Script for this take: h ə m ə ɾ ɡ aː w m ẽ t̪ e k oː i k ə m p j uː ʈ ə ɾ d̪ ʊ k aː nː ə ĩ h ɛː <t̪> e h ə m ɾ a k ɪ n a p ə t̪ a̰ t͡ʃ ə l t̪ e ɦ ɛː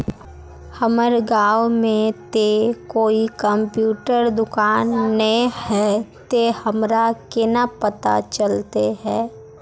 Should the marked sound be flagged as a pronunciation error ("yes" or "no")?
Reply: no